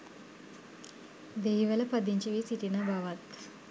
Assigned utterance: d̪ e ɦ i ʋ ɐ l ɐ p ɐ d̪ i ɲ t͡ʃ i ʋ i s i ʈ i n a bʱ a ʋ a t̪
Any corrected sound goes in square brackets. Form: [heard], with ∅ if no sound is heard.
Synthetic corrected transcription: d̪ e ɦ i ʋ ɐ l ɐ p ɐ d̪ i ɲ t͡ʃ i ʋ i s i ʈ i n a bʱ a ʋ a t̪